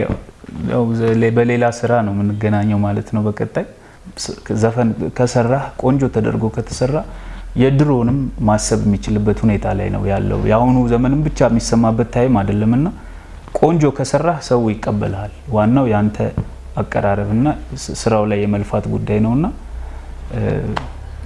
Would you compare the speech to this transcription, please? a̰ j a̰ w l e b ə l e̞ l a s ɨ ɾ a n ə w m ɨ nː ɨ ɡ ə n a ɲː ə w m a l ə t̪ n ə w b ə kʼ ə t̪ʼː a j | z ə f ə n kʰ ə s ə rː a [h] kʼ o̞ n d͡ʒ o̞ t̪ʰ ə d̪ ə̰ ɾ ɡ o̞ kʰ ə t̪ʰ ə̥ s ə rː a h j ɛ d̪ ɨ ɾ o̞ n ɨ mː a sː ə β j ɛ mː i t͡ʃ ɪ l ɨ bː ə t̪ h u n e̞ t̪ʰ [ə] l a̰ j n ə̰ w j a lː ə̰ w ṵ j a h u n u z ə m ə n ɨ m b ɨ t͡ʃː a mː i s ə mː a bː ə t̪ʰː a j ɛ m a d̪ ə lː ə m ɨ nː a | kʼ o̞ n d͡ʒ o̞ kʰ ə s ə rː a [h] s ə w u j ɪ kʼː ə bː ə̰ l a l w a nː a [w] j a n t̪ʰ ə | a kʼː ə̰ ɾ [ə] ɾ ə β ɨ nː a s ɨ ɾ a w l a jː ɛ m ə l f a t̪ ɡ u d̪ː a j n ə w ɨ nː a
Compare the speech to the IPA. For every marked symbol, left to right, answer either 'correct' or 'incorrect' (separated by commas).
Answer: correct, incorrect, correct, correct, incorrect